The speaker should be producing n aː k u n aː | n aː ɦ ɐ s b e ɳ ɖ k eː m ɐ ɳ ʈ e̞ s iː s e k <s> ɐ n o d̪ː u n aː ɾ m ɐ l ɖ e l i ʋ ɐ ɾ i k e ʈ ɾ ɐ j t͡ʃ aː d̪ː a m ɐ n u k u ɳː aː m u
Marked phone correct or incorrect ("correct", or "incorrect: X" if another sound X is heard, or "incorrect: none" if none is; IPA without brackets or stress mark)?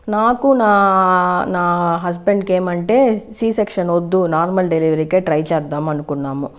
incorrect: ʂ